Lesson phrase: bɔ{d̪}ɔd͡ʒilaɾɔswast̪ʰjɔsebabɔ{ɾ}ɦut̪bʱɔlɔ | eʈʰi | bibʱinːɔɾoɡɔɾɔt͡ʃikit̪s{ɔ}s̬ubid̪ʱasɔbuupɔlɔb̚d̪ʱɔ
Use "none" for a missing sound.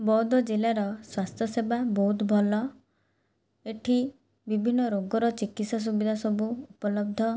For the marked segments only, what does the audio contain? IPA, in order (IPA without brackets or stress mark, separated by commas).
d̪, none, ɔ